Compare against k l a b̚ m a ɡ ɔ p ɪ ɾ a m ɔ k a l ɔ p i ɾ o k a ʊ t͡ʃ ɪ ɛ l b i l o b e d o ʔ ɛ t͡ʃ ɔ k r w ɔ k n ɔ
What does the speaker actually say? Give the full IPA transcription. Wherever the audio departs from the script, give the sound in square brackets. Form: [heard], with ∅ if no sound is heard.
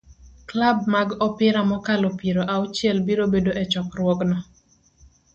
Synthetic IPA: k l a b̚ m a ɡ ɔ p ɪ ɾ a m ɔ k a l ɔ p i ɾ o [ʔ] a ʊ t͡ʃ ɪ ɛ l b i [ɾ] o b e d o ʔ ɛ t͡ʃ ɔ k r w ɔ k n ɔ